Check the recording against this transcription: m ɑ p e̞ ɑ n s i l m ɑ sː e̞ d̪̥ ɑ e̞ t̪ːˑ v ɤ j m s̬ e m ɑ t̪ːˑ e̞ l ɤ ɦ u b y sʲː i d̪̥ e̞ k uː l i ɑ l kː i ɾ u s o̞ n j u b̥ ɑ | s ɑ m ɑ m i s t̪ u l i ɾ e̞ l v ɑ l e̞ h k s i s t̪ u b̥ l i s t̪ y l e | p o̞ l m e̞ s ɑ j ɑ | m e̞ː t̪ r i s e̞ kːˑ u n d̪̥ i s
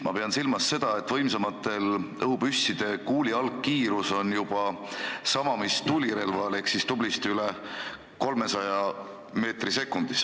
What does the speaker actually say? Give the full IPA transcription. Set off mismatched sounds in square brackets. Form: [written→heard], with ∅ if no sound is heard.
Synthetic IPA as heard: m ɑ p e̞ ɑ n s i l m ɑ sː e̞ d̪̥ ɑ e̞ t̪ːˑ v ɤ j m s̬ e m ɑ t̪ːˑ e̞ l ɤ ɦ u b y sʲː i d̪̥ e̞ k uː l i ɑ l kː [i→iː] ɾ u s o̞ n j u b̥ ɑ | s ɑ m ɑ m i s t̪ u l i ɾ e̞ l v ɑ l e̞ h k s i s t̪ u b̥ l i s t̪ y l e | [p→k] o̞ l m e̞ s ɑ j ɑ | m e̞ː t̪ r i s e̞ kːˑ u n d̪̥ i s